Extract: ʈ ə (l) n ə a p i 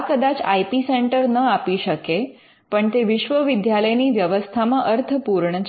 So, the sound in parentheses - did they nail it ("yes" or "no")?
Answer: no